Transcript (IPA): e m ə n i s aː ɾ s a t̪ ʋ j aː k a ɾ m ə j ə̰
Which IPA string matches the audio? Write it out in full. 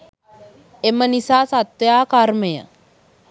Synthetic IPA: e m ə n i s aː s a t̪ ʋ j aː k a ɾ m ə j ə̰